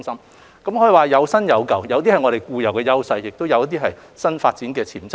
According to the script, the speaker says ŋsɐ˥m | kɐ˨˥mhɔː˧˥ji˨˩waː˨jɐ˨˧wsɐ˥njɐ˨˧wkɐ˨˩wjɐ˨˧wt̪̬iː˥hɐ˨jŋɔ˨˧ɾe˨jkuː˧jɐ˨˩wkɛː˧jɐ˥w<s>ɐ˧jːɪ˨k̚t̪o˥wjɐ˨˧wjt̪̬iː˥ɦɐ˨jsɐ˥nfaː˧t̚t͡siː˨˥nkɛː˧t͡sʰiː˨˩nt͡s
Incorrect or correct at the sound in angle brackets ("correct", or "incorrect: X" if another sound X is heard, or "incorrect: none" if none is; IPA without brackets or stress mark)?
correct